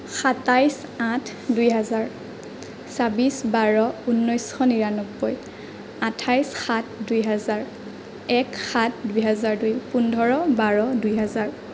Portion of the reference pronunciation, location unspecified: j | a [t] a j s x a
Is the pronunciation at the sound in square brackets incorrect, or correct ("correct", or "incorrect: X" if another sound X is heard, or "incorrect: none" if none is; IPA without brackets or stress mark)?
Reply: incorrect: tʰ